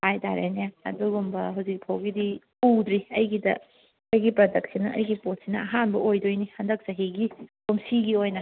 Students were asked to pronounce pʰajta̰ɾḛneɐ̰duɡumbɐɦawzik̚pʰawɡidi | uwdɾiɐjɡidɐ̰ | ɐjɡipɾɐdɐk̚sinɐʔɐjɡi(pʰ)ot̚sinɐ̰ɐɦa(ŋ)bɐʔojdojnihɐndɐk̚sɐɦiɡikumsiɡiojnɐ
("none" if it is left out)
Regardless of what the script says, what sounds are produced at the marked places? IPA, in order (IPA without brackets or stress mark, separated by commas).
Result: p, n